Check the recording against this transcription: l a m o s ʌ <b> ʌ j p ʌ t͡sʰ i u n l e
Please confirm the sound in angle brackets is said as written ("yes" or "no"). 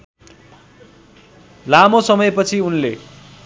no